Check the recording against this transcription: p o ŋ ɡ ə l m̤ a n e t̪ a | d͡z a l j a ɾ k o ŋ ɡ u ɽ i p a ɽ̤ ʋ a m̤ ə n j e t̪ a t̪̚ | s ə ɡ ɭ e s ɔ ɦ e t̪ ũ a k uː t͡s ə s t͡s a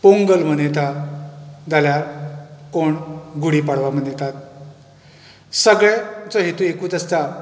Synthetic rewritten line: p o ŋ ɡ ə l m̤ ə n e t̪ a | d͡z a l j a ɾ k o ɳ ɡ u ɽ i p a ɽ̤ ʋ a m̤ ə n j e t̪ a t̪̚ | s ə ɡ ɭ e t͡s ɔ ɦ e t̪ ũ e k uː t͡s ə s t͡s a